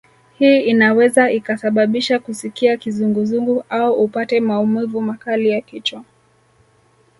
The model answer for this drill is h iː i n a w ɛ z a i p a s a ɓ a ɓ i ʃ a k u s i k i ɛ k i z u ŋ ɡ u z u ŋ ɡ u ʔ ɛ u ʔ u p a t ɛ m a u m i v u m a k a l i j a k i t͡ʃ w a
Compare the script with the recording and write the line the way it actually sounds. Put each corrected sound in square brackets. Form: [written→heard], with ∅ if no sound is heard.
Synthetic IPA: h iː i n a w ɛ z a i [p→k] a s a ɓ a ɓ i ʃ a k u s i k i [ɛ→a] k i z u ŋ ɡ u z u ŋ ɡ u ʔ [ɛ→a] u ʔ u p a t ɛ m a u m i v u m a k a l i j a k i t͡ʃ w a